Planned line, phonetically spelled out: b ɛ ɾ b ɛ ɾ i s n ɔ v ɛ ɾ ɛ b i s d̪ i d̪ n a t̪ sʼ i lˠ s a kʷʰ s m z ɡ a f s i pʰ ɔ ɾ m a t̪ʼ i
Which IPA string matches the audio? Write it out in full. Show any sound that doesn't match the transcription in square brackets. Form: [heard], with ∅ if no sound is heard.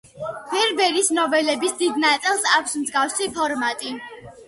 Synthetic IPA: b ɛ ɾ b ɛ ɾ i s n ɔ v ɛ [l] ɛ b i s d̪ i d̪ n a t̪ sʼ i lˠ s a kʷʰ s m z ɡ a f s i pʰ ɔ ɾ m a t̪ʼ i